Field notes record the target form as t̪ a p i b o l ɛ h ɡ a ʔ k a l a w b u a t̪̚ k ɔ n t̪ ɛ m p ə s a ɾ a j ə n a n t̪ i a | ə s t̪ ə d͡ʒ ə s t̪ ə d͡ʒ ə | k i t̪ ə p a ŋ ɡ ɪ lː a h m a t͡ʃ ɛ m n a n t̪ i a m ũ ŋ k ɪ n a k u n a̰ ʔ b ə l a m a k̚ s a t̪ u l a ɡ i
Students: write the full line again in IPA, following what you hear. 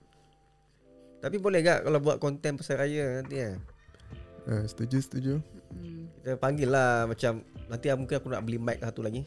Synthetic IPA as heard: t̪ a p i b o l ɛ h ɡ a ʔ k a l a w b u a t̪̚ k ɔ n t̪ ɛ n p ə s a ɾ a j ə n a n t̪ i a | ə s t̪ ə d͡ʒ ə s t̪ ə d͡ʒ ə | k i t̪ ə p a ŋ ɡ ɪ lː a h m a t͡ʃ a m n a n t̪ i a m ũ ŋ k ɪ n a k u n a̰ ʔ b ə l i m a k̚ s a t̪ u l a ɡ i